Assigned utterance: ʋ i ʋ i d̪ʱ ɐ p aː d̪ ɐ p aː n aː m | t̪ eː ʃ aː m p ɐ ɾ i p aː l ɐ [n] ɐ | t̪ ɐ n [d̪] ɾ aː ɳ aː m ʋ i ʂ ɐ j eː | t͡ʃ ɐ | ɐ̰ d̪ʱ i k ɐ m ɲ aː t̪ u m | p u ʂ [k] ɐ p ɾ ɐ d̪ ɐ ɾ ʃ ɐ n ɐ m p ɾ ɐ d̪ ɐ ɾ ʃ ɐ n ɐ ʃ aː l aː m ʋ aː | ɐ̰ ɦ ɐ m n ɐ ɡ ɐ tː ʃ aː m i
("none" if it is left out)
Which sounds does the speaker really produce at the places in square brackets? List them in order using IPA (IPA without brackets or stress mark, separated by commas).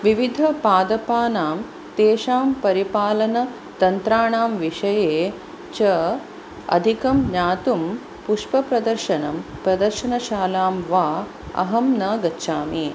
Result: n, t̪, p